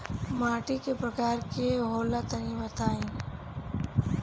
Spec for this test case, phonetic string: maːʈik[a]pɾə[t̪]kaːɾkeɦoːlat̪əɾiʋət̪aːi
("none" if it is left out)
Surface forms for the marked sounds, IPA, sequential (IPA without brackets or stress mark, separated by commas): e, none